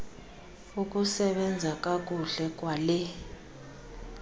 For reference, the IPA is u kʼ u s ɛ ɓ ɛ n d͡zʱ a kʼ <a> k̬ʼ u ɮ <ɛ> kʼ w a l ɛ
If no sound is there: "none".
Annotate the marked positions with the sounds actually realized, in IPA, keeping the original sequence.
a, ɛ

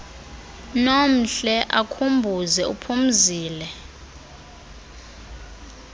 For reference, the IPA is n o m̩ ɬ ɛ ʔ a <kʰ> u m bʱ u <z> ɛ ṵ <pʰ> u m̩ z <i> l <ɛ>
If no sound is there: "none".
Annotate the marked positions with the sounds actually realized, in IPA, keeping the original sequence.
kʰ, z, pʰ, iː, ɛ

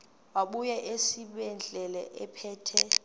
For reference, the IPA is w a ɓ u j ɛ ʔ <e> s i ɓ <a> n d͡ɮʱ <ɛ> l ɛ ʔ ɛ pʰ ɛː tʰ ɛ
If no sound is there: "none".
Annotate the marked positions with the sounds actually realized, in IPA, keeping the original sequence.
e, ɛ, ɛ

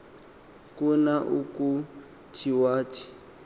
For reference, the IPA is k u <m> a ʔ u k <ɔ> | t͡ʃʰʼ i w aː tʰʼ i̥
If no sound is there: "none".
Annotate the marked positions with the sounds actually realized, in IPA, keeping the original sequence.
n, u

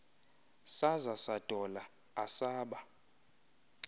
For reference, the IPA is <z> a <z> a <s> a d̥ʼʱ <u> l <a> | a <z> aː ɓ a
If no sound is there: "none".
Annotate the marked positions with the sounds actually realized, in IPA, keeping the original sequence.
s, z, s, ɔ, a, s

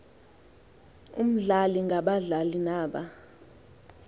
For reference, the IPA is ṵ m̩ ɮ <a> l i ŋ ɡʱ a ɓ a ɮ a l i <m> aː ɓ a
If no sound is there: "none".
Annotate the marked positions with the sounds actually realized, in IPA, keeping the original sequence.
a, n

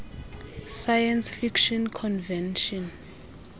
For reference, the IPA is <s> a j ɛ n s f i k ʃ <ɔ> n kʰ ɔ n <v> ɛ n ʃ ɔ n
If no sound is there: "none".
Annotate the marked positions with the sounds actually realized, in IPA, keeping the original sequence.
s, ɔ, v

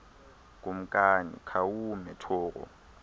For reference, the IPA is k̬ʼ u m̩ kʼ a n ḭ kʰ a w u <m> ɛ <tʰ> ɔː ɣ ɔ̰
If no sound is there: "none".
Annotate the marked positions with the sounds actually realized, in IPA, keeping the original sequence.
m, tʰ

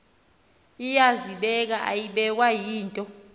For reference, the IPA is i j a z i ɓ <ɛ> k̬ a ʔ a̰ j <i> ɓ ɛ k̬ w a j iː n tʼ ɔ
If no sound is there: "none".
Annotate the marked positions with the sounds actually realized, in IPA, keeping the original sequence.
ɛ, i

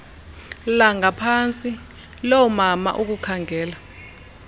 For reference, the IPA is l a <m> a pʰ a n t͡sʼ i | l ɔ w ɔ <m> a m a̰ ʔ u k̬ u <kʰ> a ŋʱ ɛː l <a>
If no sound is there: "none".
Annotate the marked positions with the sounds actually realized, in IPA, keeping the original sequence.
ŋ, m, kʰ, a

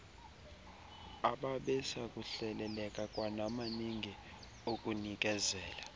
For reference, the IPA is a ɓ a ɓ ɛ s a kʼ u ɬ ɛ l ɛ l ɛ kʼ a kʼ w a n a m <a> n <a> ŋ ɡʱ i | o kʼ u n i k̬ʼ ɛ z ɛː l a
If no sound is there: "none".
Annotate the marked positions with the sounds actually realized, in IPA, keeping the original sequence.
a, i

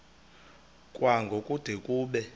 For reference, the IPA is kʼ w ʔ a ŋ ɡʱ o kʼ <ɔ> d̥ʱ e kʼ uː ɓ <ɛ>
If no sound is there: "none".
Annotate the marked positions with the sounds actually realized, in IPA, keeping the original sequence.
u, ɛ

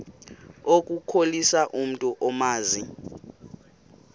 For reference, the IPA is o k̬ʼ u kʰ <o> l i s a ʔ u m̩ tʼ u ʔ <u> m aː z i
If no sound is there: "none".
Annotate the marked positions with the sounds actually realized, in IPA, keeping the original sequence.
o, ɔ

